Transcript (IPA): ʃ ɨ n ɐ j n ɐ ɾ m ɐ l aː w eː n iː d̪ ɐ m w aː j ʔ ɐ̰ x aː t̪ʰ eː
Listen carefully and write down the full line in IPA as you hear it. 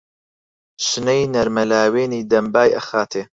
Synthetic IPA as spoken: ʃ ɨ n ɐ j n ɐ ɾ m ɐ l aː w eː n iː d̪ ɐ m b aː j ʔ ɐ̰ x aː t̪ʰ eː